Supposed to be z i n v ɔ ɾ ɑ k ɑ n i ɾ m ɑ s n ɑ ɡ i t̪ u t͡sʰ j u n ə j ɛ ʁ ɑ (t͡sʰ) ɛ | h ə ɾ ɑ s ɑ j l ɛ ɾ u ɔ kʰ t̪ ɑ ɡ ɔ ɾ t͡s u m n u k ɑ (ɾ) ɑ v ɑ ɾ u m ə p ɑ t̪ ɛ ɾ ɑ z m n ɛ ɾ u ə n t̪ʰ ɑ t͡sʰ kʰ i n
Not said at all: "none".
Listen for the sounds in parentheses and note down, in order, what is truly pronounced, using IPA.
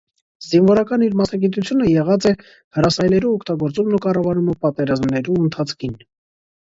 t͡s, r

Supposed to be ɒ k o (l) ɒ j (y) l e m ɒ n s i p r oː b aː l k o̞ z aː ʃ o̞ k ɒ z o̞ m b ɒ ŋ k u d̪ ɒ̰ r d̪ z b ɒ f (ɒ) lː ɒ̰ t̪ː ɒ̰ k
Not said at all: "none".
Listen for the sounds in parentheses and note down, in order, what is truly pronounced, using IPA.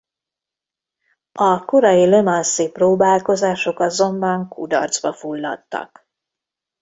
ɾ, i, u

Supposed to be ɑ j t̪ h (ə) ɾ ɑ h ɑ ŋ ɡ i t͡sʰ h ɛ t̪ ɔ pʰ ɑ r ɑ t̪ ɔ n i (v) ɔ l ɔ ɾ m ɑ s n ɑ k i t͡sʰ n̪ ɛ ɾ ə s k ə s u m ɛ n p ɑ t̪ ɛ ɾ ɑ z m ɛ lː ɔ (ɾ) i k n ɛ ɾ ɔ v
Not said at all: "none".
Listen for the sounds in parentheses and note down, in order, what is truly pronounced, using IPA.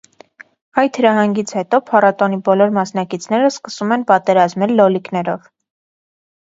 ə, b, l

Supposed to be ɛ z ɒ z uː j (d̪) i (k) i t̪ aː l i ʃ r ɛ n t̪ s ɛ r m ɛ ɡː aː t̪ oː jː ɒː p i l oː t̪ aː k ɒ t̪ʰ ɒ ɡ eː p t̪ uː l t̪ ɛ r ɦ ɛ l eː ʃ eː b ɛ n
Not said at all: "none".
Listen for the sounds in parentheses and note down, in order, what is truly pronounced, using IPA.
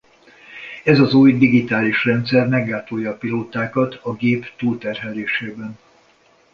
d̪, ɡ

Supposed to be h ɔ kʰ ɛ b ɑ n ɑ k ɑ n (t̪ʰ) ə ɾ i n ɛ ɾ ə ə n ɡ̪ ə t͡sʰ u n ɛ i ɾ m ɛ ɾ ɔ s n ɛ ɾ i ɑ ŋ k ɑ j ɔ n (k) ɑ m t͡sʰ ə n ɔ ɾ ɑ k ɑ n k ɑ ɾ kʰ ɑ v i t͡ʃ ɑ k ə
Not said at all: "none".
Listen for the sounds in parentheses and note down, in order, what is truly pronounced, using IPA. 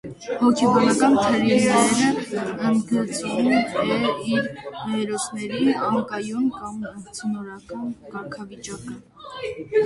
t̪ʰ, k

